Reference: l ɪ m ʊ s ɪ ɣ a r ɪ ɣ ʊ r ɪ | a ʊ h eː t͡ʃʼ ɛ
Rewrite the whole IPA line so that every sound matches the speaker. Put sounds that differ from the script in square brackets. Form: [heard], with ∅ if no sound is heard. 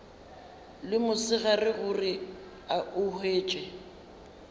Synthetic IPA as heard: l ɪ m ʊ s ɪ ɣ a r ɪ ɣ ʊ r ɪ | a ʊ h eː t͡ʃʼ ɛ